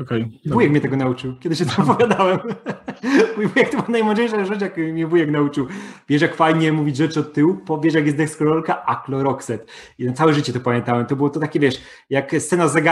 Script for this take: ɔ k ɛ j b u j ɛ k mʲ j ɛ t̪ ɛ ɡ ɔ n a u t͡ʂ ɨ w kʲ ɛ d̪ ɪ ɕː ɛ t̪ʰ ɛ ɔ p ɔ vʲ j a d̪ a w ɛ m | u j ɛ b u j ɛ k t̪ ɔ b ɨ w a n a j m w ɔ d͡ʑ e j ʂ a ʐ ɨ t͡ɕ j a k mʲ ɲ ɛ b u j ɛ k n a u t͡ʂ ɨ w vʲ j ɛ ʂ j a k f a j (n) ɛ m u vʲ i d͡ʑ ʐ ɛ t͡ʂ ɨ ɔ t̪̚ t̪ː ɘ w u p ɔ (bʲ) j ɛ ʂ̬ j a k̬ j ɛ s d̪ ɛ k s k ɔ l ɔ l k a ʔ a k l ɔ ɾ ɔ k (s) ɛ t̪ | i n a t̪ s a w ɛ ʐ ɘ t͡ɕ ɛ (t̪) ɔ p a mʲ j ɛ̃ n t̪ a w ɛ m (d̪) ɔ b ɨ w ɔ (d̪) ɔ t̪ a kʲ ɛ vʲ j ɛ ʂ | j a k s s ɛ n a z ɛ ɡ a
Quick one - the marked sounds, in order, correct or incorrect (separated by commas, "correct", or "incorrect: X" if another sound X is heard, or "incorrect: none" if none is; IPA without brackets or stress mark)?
incorrect: ɲ, incorrect: vʲ, correct, correct, incorrect: t̪, incorrect: t̪